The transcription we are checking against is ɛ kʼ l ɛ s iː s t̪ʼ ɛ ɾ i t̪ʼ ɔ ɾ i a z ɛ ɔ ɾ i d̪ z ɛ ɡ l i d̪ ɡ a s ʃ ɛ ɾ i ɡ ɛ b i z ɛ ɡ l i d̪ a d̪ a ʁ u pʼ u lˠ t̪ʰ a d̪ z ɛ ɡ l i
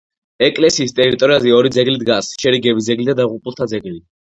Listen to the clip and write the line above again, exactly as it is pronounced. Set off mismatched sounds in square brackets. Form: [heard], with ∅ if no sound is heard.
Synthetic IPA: ɛ kʼ l ɛ s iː s t̪ʼ ɛ ɾ i t̪ʼ ɔ ɾ i a z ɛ ɔ ɾ i d̪ z ɛ ɡ l i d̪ ɡ a s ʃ ɛ ɾ i ɡ ɛ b i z ɛ ɡ l i d̪ a d̪ a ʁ u pʼ u lˠ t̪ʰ a d̪ z ɛ ɡ l i